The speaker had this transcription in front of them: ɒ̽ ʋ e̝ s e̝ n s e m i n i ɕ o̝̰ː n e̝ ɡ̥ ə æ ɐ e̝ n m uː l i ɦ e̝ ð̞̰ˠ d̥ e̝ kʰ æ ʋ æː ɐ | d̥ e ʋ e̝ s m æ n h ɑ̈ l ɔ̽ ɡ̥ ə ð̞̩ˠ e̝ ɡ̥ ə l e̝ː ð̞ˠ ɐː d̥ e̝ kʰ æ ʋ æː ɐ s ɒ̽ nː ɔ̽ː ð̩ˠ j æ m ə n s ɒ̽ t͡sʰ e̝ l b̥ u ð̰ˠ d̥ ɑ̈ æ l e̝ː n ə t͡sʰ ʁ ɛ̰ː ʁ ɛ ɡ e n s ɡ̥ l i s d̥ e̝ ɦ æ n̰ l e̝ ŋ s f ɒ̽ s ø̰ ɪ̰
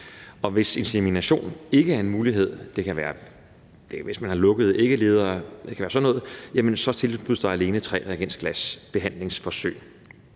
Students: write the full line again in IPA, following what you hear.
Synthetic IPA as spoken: ɒ̽ ʋ e̝ s e̝ n s e m i n æ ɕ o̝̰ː n e̝ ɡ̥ ə æ ɐ e̝ n m uː l i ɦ e̝ ð̞̰ˠ d̥ e̝ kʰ æ ʋ æː ɐ | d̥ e ʋ e̝ s m æ n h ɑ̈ l ɔ̽ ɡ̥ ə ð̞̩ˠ e̝ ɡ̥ ə l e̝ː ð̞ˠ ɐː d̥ e̝ kʰ æ ʋ æː ɐ s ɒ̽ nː ɔ̽ː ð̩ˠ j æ m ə n s ɒ̽ t͡sʰ e̝ l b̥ u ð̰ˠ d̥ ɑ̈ æ l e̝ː n ə t͡sʰ ʁ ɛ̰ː ʁ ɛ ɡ e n s ɡ̥ l æ s b̥ e̝ ɦ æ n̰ l e̝ ŋ s f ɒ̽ s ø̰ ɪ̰